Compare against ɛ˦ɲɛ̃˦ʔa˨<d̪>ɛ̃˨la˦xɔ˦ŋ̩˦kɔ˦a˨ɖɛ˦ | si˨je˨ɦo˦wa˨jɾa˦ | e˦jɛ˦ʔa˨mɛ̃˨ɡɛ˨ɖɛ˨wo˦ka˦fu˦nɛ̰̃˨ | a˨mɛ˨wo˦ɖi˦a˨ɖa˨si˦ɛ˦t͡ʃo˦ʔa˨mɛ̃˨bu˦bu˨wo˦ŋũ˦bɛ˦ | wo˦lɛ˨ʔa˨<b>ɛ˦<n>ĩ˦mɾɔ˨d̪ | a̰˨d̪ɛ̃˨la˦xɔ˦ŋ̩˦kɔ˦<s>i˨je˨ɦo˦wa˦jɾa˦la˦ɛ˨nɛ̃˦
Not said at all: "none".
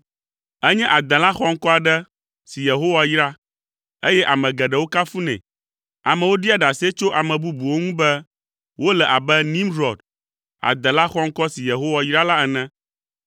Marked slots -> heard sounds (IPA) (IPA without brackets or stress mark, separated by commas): d̪, b, n, s